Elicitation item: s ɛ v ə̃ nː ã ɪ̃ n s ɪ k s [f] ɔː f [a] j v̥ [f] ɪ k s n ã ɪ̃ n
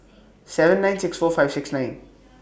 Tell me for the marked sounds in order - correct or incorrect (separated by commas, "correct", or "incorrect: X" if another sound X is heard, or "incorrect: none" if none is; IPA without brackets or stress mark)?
correct, correct, incorrect: s